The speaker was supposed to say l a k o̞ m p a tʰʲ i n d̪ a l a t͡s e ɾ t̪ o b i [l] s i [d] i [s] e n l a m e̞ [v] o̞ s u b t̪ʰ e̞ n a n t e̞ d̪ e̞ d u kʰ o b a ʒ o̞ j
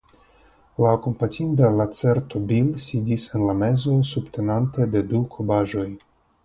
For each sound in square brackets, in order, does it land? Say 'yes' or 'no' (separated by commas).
yes, yes, yes, no